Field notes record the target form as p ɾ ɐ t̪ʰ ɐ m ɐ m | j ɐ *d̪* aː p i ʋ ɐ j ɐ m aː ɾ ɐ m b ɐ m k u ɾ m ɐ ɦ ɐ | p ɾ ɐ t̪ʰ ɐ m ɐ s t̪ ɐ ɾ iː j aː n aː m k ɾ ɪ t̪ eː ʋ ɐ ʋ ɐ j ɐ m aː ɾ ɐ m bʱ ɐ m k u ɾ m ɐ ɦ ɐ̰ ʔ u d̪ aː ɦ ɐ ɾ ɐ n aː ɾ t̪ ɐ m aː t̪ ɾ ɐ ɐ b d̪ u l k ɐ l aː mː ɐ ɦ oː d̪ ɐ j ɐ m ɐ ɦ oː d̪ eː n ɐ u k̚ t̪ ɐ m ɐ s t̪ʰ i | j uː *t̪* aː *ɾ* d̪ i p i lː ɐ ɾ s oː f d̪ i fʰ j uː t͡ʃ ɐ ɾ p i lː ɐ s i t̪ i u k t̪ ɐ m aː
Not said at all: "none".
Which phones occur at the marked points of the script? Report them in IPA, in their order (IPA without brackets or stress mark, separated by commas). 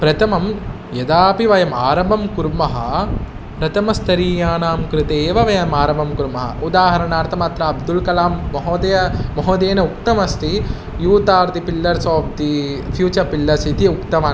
d̪, t̪, ɾ